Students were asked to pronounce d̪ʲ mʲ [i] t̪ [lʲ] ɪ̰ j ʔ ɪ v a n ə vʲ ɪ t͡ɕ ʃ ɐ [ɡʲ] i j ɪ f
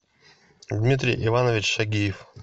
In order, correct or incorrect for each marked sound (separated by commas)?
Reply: correct, incorrect, correct